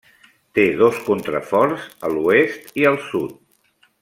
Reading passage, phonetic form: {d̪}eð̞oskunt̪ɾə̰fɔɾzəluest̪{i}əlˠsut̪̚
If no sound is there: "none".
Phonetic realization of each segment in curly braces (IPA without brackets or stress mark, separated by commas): t̪, i